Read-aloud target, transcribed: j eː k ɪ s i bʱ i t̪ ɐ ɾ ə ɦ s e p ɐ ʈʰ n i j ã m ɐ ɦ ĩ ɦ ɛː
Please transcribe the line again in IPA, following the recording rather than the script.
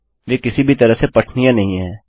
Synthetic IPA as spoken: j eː k ɪ s i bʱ i t̪ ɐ ɾ ə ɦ s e p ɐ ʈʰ n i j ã n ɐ ɦ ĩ ɦ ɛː